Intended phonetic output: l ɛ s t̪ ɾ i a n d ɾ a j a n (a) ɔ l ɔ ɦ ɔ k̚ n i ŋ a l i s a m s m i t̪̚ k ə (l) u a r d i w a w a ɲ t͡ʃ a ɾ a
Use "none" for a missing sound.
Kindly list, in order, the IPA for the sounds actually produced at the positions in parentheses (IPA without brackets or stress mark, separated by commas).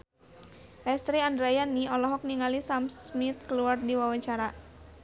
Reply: i, l